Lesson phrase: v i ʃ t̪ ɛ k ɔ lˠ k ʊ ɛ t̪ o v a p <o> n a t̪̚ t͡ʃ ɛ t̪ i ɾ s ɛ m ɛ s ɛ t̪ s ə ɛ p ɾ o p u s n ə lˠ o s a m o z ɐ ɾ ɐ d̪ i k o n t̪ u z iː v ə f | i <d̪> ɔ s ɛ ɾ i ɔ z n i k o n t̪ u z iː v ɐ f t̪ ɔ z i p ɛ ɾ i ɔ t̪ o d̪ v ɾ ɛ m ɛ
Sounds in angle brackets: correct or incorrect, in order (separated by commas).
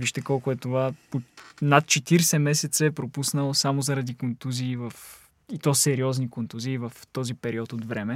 correct, incorrect